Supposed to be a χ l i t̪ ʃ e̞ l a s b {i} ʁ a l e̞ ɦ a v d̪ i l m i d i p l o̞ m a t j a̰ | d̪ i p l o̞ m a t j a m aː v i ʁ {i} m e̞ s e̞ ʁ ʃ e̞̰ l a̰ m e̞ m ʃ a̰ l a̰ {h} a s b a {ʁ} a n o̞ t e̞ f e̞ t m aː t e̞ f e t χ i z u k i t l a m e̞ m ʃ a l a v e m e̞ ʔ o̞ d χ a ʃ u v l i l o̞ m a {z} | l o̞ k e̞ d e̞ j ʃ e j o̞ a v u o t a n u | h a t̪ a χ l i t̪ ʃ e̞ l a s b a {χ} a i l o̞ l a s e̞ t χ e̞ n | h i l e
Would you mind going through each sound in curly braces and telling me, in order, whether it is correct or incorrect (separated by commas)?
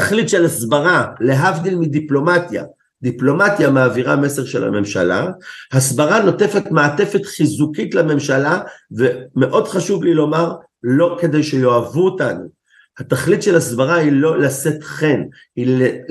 incorrect, incorrect, correct, correct, incorrect, incorrect